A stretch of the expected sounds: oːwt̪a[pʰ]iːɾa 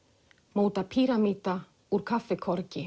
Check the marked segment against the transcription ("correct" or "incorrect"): correct